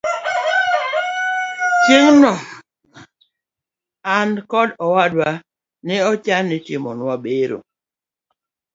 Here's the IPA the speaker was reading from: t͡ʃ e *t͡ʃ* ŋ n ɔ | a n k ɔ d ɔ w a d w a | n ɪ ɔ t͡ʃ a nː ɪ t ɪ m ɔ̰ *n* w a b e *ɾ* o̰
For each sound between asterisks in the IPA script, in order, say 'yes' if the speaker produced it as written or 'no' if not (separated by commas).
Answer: no, yes, yes